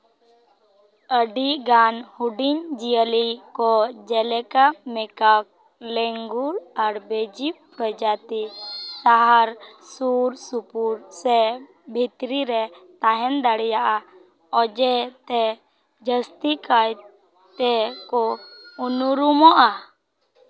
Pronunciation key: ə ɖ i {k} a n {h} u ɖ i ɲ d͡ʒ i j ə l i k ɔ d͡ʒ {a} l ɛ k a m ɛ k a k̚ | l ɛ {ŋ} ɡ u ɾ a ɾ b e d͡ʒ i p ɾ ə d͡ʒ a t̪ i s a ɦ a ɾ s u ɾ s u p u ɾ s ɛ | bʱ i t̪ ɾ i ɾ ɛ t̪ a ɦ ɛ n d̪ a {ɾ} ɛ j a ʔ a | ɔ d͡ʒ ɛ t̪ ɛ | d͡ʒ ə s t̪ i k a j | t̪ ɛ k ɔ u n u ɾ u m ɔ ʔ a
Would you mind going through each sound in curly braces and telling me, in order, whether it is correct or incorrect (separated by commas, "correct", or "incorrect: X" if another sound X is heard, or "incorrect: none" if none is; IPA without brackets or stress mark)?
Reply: incorrect: ɡ, correct, incorrect: ɛ, correct, incorrect: ɽ